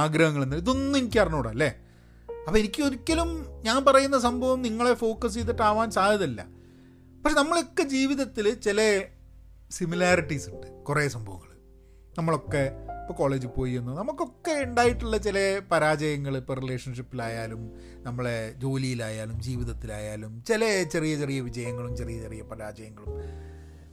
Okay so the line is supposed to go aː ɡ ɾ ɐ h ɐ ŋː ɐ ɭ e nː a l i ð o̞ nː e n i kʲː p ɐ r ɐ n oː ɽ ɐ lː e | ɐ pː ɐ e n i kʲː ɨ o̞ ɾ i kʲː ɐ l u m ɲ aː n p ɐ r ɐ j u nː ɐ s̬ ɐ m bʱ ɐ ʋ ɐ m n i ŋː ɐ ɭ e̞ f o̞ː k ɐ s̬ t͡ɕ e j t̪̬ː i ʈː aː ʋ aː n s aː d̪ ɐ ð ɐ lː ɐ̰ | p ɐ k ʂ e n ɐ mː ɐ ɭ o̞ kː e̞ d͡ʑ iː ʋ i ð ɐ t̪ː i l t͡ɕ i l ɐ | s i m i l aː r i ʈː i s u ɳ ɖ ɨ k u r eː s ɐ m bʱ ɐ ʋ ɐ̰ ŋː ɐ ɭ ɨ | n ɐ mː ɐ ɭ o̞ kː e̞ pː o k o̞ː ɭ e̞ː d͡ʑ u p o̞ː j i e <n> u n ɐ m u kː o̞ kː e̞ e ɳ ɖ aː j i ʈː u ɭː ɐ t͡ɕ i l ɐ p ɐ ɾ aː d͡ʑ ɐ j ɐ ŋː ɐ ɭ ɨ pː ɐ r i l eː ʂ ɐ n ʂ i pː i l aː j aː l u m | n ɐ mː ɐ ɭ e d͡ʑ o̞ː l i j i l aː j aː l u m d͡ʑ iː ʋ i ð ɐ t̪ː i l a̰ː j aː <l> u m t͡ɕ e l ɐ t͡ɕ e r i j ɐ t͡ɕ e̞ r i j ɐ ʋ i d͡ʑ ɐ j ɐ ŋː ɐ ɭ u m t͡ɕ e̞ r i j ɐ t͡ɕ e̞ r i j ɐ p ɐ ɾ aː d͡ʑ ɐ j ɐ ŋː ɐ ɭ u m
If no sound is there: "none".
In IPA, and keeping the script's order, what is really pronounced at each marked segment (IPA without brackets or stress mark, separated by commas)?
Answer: nː, l